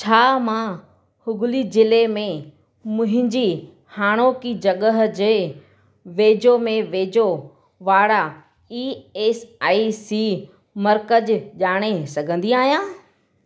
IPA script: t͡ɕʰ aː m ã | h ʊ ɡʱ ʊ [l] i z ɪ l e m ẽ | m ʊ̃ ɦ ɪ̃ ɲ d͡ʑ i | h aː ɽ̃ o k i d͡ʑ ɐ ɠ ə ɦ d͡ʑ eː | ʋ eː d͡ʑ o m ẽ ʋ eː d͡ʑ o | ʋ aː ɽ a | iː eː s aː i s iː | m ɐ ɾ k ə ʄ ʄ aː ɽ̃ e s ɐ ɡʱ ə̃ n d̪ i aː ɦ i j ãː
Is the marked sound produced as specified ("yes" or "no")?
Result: yes